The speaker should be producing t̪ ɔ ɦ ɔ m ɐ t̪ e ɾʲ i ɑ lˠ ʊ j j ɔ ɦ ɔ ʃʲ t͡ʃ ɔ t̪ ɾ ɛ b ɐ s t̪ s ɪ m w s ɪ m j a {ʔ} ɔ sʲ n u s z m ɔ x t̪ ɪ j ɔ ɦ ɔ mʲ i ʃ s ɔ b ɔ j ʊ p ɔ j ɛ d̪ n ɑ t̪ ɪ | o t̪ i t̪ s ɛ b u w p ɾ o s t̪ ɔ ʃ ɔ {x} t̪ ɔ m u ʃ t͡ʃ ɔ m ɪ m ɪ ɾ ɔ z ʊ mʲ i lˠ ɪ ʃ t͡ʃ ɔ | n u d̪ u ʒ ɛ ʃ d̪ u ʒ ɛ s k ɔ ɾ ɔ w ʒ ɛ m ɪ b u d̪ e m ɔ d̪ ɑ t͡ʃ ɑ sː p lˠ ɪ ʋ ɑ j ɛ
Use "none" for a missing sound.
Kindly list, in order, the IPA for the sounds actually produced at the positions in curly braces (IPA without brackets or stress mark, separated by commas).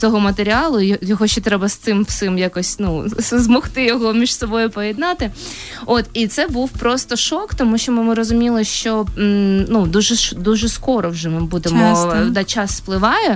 k, k